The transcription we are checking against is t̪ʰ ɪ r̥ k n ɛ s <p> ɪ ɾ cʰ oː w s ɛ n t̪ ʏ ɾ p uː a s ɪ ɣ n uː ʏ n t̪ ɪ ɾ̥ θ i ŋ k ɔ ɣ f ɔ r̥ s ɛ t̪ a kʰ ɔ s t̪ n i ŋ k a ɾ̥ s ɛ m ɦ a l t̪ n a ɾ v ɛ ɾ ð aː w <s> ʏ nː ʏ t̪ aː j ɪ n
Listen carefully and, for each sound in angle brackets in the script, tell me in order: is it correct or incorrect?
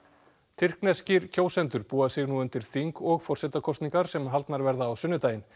incorrect, correct

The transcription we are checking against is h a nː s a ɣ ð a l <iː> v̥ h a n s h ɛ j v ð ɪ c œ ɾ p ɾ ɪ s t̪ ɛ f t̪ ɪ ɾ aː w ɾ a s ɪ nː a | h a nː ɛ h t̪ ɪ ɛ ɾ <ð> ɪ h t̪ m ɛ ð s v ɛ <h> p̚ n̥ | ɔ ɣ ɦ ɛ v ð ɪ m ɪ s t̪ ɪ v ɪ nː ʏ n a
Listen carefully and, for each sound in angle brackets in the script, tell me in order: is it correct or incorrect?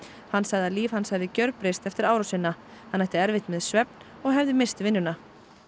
correct, incorrect, incorrect

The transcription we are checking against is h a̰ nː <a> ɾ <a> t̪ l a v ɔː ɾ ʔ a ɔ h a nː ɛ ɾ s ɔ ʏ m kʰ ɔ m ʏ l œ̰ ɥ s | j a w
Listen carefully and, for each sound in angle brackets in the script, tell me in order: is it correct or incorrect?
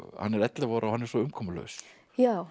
incorrect, incorrect

